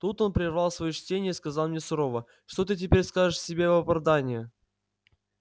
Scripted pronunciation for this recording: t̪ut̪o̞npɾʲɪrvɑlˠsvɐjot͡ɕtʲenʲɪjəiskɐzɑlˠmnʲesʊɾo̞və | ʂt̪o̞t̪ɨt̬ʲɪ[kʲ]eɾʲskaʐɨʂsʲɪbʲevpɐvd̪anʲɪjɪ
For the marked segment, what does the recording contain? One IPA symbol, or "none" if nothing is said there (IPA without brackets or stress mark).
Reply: pʲ